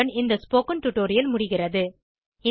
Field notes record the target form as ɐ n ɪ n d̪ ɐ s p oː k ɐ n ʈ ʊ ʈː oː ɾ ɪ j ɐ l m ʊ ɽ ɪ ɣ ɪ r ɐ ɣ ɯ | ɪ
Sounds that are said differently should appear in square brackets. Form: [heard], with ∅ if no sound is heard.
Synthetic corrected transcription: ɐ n ɪ n d̪ ɐ s p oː k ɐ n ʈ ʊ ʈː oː ɾ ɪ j ɐ l m ʊ ɽ ɪ ɣ ɪ r ɐ [ð] ɯ | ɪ